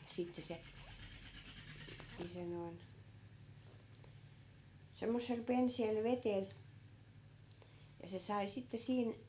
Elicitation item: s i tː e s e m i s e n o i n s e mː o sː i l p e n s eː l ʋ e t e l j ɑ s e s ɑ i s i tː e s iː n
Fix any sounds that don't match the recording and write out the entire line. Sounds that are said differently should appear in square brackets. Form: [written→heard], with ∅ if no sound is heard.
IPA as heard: s i tː e s e [m→n] i s e n o i n s e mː o sː [i→e] l p e n s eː l ʋ e t e l j ɑ s e s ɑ i s i tː e s iː n